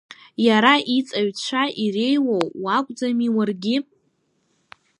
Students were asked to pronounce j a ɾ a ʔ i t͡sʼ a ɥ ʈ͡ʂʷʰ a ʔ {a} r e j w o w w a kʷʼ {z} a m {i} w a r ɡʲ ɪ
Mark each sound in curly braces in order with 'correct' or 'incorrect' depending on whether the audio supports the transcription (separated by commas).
incorrect, incorrect, correct